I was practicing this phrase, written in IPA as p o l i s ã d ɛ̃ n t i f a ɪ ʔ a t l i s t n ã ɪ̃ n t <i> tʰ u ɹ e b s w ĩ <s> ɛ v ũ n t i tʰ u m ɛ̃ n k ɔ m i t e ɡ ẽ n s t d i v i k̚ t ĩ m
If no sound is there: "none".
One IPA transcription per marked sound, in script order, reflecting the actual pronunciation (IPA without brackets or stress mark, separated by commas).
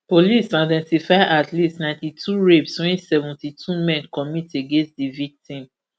i, s